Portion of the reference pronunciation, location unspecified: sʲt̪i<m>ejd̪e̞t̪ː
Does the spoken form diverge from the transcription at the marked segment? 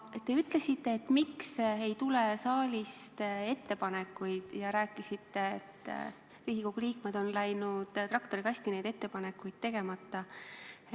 yes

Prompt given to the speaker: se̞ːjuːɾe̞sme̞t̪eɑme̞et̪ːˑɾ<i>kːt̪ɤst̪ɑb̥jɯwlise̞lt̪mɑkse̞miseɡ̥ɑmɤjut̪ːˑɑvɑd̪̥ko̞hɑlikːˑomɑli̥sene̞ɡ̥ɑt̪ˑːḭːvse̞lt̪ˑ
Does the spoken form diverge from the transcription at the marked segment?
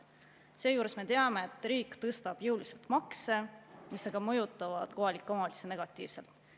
yes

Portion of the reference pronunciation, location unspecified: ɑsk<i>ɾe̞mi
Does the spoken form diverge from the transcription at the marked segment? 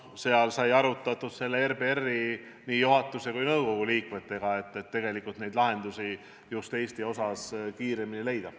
yes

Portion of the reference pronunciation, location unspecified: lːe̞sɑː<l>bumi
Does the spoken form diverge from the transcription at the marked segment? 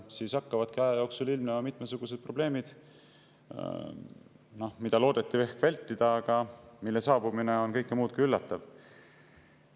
yes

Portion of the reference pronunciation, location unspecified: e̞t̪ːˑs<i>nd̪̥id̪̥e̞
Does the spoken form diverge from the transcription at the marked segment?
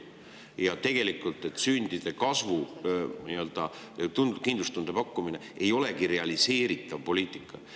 yes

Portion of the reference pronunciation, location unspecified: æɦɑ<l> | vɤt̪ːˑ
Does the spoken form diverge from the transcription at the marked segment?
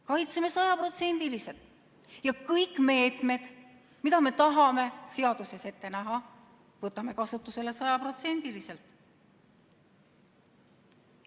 yes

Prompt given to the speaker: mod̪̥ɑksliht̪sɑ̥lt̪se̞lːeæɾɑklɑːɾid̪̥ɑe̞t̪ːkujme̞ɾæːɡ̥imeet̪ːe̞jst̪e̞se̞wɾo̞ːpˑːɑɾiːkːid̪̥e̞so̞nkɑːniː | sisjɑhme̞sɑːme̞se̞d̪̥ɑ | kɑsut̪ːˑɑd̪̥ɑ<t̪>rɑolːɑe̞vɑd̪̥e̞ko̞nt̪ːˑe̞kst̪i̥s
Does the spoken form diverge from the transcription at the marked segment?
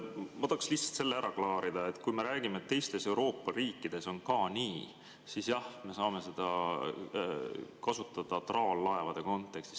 no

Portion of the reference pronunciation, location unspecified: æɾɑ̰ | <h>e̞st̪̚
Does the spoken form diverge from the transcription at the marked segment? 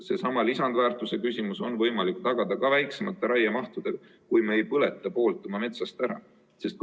yes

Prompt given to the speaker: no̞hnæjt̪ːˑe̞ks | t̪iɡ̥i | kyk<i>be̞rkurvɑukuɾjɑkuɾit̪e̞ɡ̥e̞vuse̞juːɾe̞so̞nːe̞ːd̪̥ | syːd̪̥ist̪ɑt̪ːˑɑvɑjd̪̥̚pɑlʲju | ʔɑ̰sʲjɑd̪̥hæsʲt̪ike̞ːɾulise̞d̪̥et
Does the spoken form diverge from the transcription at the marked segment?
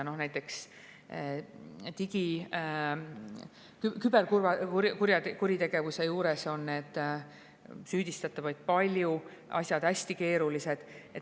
yes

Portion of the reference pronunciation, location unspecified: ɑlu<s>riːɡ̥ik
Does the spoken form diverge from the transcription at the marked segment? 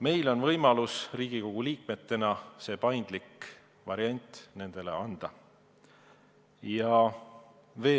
no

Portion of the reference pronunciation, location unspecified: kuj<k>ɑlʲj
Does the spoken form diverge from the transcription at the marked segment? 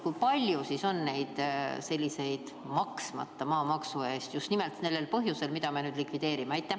yes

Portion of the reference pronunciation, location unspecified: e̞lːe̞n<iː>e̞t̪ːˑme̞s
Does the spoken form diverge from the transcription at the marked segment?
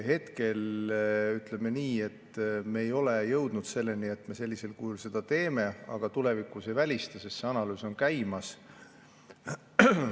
yes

